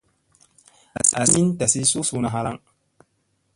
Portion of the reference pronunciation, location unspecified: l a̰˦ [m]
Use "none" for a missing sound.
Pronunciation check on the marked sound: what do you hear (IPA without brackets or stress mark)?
ŋ